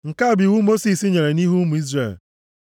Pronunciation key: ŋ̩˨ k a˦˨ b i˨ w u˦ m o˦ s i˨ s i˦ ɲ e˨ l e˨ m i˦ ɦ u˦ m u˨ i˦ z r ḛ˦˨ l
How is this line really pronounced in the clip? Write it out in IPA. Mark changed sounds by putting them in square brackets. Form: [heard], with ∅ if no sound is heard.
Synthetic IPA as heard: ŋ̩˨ k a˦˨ b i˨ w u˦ m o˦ s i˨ s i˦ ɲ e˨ [ɾ] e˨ [n] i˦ ɦ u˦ m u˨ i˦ z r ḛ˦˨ l